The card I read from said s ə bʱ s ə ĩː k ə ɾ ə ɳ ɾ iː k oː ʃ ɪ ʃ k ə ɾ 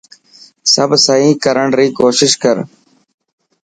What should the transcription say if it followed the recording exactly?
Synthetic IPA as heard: s ə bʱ s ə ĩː k ə ɾ ə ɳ ɾ iː k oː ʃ ɪ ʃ k ə ɾ